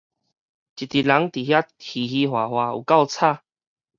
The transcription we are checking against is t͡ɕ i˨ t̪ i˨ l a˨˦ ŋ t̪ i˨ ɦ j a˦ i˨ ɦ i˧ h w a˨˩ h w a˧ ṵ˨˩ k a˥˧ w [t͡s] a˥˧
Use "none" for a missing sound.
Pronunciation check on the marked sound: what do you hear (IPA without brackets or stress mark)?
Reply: t͡sʰ